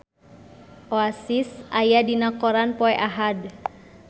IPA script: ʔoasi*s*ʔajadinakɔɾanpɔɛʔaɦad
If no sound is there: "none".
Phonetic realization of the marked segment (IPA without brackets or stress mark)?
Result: s